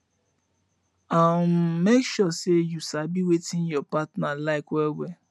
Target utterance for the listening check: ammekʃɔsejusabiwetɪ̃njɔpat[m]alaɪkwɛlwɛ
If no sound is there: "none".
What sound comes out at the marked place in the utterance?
n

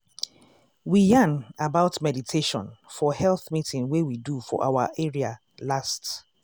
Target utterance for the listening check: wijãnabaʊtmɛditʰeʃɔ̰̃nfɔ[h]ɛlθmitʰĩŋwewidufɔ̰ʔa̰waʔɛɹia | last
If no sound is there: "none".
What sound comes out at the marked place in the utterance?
h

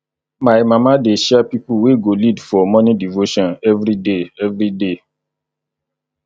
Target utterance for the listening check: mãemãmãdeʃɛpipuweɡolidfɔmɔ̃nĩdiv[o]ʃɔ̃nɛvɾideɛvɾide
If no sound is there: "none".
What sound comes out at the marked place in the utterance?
o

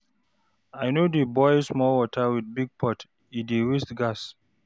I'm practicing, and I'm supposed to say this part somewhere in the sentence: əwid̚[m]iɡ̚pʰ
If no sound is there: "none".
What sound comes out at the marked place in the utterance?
b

